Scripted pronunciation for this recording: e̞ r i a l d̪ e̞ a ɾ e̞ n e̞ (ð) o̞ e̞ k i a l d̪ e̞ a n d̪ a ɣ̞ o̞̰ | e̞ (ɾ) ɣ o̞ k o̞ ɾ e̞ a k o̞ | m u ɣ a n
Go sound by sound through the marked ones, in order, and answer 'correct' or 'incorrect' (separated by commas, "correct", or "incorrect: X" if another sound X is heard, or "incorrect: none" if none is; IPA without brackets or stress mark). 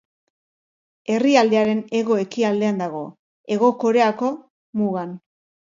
incorrect: ɣ, incorrect: none